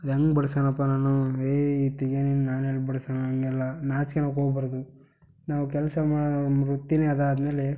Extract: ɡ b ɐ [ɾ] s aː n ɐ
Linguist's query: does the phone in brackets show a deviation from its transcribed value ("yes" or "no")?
yes